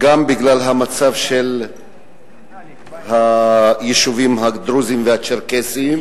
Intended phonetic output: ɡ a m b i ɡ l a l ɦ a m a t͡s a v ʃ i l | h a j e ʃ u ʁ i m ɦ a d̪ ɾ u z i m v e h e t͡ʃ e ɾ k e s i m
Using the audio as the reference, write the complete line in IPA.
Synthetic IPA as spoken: ɡ a m b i ɡ l a l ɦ a m a t͡s a v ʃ e l | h a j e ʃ u v i m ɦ a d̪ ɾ u z i m v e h a t͡ʃ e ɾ k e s i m